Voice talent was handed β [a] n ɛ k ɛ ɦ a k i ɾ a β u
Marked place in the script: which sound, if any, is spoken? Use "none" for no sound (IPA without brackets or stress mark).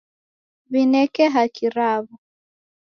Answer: i